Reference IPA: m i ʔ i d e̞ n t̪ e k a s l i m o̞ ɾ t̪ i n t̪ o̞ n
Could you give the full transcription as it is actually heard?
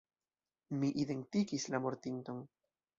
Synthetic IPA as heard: m i ʔ i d e̞ n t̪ i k i s l a m o̞ ɾ t̪ i n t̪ o̞ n